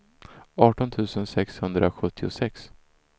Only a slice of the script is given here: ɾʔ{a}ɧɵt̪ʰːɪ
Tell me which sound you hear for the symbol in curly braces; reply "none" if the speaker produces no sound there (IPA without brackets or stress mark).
a